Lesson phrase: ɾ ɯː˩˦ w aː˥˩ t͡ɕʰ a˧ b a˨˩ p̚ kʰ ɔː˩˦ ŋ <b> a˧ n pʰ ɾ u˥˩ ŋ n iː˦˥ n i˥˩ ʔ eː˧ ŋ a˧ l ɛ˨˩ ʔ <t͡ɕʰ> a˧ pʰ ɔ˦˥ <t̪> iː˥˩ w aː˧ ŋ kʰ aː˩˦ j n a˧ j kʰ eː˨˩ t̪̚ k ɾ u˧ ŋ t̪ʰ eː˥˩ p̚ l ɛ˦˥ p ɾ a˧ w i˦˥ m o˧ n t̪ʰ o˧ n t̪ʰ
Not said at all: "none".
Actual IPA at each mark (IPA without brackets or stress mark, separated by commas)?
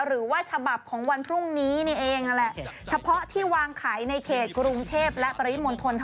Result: w, t͡ɕʰ, t̪ʰ